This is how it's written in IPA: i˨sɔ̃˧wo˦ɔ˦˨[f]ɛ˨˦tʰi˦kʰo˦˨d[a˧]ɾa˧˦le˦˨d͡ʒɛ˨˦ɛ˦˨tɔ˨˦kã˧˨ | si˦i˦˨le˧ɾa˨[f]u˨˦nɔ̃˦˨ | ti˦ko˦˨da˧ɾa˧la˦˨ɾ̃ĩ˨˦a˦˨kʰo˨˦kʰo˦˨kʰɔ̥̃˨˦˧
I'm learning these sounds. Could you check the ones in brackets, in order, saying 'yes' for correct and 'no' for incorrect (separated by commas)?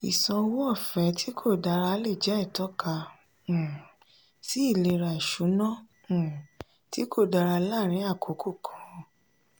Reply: yes, yes, no